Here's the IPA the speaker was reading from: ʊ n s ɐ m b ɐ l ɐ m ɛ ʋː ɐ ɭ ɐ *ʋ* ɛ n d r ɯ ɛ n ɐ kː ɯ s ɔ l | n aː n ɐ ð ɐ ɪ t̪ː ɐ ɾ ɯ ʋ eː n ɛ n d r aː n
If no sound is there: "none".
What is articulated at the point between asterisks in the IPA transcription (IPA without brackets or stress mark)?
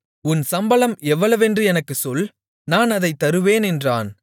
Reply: ʋ